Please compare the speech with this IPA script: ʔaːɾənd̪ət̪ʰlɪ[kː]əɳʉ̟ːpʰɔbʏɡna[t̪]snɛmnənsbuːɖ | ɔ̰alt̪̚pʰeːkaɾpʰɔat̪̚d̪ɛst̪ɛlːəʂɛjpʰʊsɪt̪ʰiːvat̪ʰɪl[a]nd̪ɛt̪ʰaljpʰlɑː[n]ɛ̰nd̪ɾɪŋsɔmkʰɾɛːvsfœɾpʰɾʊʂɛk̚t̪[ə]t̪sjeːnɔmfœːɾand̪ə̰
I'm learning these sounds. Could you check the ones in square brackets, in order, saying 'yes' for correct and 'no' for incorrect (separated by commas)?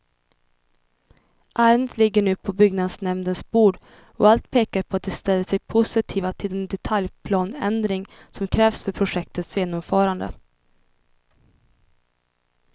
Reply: no, no, no, yes, yes